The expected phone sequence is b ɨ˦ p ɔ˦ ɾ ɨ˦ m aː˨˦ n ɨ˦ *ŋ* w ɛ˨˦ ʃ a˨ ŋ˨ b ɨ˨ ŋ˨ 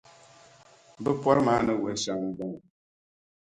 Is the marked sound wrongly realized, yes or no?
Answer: yes